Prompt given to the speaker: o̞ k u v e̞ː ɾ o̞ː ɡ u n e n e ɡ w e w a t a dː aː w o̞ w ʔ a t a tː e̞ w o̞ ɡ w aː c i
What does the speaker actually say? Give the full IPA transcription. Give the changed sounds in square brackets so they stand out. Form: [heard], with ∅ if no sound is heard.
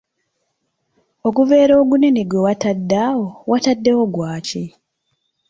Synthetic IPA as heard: o̞ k u v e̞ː ɾ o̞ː ɡ u n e n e ɡ w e w a t a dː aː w o̞ w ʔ a t a [dː] e̞ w o̞ ɡ w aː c i